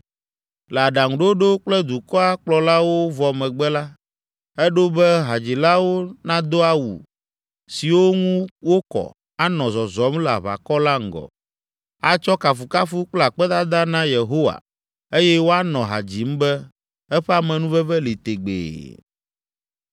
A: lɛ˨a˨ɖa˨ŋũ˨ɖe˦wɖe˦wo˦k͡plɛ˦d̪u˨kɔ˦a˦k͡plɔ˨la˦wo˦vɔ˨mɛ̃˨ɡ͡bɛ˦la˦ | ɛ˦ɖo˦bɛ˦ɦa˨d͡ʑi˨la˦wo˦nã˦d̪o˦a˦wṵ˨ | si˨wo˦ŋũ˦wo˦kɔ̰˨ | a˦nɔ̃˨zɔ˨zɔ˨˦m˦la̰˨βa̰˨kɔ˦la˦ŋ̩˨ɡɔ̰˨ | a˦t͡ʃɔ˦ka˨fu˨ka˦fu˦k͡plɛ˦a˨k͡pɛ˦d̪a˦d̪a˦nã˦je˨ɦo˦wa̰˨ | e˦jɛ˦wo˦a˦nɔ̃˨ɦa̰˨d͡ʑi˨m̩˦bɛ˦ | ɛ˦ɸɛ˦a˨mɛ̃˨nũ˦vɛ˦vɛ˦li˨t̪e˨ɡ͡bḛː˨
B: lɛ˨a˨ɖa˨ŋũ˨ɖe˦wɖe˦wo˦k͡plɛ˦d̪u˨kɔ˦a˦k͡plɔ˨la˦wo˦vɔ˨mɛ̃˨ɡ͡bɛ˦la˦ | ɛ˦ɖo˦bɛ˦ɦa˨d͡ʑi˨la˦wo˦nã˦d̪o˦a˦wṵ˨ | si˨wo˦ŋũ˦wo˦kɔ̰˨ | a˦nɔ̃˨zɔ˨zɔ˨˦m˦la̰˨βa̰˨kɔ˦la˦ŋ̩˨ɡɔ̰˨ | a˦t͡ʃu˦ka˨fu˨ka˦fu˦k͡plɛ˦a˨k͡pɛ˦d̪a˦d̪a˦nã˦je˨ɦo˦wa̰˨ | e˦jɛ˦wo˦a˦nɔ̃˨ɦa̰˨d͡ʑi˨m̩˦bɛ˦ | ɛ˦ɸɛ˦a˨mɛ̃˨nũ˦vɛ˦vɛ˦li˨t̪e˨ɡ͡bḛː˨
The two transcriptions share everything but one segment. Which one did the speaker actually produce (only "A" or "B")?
A